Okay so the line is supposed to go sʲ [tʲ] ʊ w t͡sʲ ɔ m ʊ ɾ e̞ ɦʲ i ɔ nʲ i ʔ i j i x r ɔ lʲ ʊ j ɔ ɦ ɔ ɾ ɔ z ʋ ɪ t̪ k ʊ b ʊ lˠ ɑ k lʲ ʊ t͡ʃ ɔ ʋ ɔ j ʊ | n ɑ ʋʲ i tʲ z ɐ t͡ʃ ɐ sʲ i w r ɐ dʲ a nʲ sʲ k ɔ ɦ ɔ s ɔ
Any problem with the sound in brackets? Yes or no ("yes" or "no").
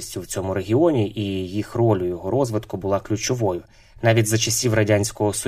no